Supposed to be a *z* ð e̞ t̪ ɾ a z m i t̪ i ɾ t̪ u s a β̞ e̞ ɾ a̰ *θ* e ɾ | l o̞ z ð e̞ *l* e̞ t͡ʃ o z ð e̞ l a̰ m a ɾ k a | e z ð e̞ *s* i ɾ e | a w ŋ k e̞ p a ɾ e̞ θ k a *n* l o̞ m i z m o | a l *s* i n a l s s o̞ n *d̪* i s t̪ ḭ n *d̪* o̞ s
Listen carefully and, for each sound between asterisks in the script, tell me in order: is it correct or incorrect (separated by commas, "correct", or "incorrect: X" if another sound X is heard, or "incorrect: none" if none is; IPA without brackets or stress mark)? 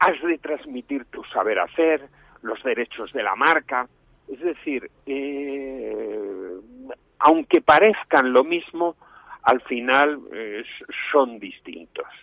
correct, correct, incorrect: ɾ, incorrect: θ, correct, incorrect: f, correct, incorrect: t̪